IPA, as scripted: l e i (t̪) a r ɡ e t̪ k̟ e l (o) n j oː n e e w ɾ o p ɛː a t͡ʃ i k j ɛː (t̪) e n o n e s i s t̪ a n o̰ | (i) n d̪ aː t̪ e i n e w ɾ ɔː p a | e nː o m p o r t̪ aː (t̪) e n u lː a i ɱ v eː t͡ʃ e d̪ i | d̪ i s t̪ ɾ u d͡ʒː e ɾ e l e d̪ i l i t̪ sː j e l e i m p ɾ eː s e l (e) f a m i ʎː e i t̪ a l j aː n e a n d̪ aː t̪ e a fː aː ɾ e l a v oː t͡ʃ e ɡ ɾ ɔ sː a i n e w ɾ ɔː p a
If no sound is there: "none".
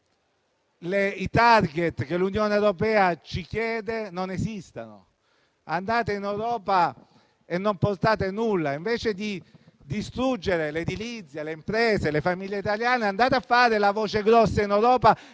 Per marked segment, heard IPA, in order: t̪, u, d̪, a, t̪, e

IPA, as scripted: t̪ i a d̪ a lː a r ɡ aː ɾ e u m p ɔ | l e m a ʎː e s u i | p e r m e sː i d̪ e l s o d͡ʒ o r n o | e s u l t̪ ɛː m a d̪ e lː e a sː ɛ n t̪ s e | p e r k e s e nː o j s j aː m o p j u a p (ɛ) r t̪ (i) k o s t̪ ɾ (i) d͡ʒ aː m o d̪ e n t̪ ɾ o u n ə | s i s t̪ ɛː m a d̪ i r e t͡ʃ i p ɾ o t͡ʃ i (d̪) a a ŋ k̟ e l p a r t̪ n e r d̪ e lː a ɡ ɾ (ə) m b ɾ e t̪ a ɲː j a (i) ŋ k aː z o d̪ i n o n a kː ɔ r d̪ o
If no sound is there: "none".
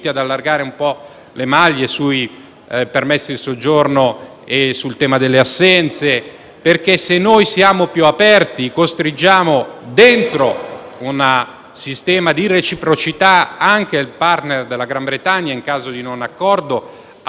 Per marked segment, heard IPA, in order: ɛ, i, i, t̪, a, i

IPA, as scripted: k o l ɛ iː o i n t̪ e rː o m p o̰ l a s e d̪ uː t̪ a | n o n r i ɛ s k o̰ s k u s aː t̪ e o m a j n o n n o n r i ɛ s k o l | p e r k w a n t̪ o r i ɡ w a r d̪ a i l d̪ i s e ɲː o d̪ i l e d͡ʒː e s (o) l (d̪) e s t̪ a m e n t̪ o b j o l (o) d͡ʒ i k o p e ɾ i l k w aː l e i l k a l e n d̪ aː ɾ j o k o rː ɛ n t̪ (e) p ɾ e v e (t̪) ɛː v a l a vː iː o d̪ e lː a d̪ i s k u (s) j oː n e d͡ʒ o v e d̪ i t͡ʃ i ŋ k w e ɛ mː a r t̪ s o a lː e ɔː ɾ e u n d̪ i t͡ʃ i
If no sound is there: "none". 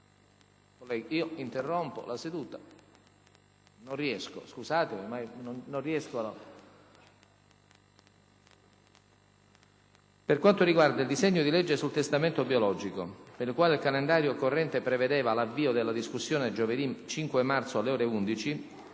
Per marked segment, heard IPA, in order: u, t̪, ɔ, e, d̪, sː

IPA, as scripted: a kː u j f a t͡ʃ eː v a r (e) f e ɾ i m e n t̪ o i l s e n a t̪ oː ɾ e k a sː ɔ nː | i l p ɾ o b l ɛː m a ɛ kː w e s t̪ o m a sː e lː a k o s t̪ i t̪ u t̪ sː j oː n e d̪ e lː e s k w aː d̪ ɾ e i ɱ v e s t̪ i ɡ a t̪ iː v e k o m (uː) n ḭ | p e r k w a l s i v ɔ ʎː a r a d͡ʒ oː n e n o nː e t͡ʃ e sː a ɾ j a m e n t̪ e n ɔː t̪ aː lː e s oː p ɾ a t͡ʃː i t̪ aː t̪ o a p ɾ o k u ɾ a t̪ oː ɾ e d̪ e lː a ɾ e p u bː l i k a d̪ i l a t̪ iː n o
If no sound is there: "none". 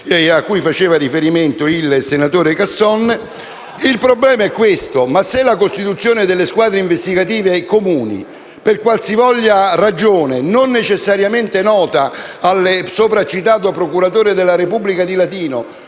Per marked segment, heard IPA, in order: i, uː

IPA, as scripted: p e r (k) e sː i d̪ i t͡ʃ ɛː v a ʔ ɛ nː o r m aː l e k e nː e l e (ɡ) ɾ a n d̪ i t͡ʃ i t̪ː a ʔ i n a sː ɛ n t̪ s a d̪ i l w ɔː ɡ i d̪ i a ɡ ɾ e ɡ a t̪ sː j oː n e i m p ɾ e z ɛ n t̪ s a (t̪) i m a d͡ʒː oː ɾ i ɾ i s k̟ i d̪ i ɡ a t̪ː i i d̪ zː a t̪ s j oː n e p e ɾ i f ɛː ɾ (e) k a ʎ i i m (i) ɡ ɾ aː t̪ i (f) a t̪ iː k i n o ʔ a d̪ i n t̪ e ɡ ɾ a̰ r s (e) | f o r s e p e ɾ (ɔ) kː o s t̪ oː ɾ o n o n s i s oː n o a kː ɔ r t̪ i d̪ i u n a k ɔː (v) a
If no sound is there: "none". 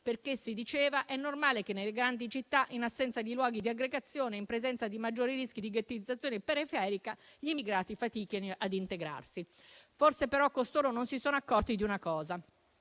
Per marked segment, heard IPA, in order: k, ɡ, d̪, i, i, f, i, ɔ, z

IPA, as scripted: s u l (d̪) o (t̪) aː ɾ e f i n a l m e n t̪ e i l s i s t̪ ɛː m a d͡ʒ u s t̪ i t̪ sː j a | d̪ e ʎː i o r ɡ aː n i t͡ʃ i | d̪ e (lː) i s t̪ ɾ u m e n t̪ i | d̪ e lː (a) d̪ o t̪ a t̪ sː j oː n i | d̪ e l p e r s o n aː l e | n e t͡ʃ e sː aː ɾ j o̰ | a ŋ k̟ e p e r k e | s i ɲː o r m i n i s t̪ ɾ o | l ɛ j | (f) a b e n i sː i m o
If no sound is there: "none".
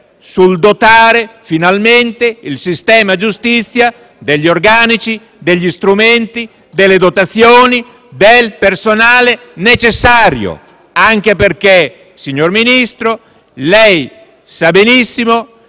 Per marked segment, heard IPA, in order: d̪, t̪, ʎː, e, s

